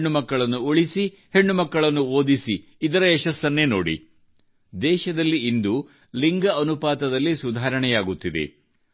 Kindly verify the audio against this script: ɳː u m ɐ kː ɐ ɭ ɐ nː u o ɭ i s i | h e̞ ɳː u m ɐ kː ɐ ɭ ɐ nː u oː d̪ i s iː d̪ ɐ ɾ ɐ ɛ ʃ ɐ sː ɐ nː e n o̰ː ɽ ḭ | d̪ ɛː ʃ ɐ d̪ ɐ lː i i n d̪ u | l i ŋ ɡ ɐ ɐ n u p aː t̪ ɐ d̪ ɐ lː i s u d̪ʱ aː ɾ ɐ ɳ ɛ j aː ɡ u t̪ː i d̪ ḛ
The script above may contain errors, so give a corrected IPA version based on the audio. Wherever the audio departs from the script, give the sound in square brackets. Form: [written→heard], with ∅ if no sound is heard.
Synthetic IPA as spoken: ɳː u m ɐ kː ɐ ɭ ɐ nː u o ɭ i s i | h e̞ ɳː u m ɐ kː ɐ ɭ ɐ nː u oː d̪ i s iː d̪ ɐ ɾ ɐ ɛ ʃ ɐ sː ɐ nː e n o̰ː ɽ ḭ | d̪ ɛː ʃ ɐ d̪ ɐ lː i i n d̪ u | l i ŋ ɡ ɐ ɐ n u p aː t̪ ɐ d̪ ɐ lː i s u d̪ʱ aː ɾ ɐ ɳ ɛ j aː ɡ u t̪ː i d̪ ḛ